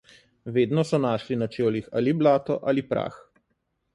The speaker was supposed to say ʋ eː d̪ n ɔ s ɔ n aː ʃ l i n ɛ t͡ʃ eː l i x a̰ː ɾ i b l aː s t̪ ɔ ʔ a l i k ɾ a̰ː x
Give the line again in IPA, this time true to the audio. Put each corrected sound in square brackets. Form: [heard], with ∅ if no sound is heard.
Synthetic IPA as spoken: ʋ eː d̪ n ɔ s ɔ n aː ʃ l i n [a] t͡ʃ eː l i x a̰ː [l] i b l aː [∅] t̪ ɔ ʔ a l i [p] ɾ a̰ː x